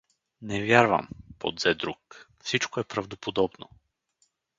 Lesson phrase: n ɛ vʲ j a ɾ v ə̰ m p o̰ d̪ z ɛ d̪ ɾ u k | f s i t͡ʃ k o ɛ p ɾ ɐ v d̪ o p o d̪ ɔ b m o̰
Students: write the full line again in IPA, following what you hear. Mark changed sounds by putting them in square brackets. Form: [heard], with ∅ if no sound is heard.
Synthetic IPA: n ɛ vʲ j a ɾ v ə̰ m p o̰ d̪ z ɛ d̪ ɾ u k | f s i t͡ʃ k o ɛ p ɾ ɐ v d̪ o p o d̪ ɔ b [n] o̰